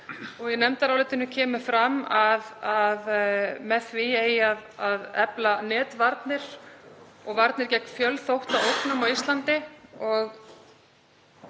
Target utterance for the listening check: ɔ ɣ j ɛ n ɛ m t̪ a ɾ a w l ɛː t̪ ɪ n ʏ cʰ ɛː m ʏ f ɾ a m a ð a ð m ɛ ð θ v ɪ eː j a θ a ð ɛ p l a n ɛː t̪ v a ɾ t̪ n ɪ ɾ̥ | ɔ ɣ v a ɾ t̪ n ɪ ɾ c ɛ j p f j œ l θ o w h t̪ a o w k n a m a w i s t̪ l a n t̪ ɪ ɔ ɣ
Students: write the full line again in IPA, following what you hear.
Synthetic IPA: ɔ ɣ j ɛ n ɛ m t̪ a ɾ a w l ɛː t̪ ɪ n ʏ cʰ ɛː m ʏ f ɾ a m a ð a ð m ɛ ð θ v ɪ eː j a ð a ð ɛ p l a n ɛː t̪ v a ɾ t̪ n ɪ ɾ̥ | ɔ ɣ v a ɾ t̪ n ɪ ɾ c ɛ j k f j œ l θ o w h t̪ a o w k n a m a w i s t̪ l a n t̪ ɪ ɔ ɣ